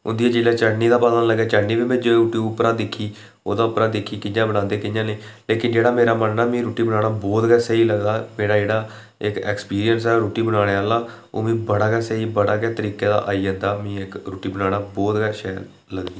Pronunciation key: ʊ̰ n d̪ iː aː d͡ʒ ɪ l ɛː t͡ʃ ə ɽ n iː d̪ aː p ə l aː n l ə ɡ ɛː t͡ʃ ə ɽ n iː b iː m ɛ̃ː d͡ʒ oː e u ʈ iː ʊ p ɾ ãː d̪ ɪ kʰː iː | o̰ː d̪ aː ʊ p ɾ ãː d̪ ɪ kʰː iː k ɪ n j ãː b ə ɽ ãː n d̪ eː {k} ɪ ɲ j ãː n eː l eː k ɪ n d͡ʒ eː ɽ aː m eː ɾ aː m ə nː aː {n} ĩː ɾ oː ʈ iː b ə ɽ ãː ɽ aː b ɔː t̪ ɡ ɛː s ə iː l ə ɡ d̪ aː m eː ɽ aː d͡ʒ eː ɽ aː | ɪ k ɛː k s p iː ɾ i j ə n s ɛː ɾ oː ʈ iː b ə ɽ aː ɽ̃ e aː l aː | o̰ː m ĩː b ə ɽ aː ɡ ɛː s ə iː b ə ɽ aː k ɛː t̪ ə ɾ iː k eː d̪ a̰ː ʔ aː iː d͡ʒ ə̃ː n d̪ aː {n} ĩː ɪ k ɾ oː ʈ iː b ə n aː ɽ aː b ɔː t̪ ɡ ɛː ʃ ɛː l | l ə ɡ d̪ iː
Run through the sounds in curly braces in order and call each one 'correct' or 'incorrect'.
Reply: correct, incorrect: m, incorrect: m

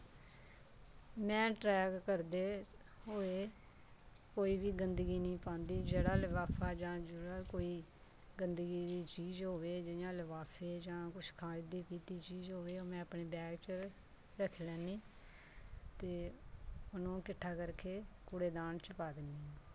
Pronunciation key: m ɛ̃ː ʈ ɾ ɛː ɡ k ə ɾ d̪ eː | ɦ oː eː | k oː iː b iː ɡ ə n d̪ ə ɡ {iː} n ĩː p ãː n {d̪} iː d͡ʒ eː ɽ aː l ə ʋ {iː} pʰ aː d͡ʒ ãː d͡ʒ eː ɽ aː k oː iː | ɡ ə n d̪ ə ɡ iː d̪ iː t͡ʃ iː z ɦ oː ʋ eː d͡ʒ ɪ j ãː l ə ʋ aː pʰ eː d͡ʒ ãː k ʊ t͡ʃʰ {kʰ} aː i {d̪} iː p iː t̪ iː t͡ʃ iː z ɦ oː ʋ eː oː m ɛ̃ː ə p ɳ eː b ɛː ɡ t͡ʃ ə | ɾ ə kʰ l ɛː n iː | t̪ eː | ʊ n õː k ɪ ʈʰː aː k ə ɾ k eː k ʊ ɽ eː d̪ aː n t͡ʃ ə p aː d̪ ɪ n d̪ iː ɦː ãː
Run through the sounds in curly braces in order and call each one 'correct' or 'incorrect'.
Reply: correct, correct, incorrect: aː, correct, correct

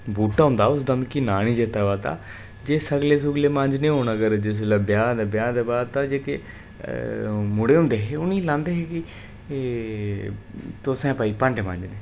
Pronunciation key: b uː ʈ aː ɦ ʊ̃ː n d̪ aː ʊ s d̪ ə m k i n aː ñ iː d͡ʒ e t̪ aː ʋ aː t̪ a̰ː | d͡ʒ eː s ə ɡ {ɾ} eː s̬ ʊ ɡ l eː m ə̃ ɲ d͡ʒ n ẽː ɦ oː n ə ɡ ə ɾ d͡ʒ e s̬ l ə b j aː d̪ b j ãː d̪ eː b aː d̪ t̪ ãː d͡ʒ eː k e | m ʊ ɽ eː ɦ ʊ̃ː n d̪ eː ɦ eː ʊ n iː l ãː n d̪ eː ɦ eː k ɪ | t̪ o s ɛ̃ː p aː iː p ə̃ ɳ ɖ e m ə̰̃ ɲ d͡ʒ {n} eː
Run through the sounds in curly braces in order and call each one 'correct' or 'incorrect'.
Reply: incorrect: l, correct

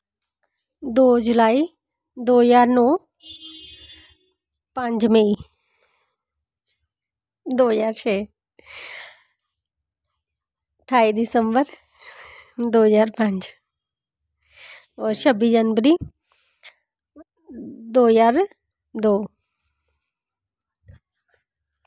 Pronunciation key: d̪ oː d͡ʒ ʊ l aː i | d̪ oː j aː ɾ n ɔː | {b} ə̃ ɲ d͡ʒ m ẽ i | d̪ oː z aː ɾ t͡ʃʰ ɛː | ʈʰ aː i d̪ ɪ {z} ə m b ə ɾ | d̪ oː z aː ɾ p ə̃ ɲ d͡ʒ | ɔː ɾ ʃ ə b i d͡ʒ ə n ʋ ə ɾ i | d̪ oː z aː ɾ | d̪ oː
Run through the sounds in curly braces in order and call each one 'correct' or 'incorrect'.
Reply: incorrect: p, incorrect: s

